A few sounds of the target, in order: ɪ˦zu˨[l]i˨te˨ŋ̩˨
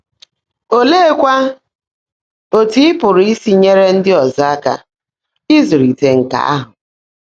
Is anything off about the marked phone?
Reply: yes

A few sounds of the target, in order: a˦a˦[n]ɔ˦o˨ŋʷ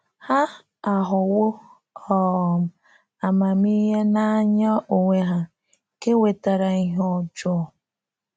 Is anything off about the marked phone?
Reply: yes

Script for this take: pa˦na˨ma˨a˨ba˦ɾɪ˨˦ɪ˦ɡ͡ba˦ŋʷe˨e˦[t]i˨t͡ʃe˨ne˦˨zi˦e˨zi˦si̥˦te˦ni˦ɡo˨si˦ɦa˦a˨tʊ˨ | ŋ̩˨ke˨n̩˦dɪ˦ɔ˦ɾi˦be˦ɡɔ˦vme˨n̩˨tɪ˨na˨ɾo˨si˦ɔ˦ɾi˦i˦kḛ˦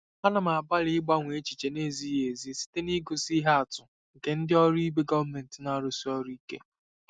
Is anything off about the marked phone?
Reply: yes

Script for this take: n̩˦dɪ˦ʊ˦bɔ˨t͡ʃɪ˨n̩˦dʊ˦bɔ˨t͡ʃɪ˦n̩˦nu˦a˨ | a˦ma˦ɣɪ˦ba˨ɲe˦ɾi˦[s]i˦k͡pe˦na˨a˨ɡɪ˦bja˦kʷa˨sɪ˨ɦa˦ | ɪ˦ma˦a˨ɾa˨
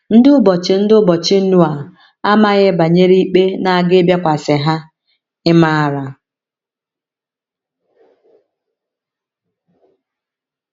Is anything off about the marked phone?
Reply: yes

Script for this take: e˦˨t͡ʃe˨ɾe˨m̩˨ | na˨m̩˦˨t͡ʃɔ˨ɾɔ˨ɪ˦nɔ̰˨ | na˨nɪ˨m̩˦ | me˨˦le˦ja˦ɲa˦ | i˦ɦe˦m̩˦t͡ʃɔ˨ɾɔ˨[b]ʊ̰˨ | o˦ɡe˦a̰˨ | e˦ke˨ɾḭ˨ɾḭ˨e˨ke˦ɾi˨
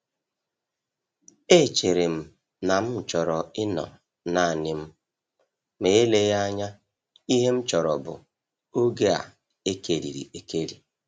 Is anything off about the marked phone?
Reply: no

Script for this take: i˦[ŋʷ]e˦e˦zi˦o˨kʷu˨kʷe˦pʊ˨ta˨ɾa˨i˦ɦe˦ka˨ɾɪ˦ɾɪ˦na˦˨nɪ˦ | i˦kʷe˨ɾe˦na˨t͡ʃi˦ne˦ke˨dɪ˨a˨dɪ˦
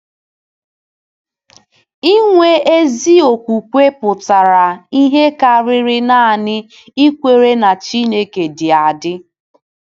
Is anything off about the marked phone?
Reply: no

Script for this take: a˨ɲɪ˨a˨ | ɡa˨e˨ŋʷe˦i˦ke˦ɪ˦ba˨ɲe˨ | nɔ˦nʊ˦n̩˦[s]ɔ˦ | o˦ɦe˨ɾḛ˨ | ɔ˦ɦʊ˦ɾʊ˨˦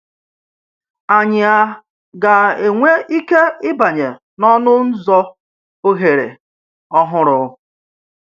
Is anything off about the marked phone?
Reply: yes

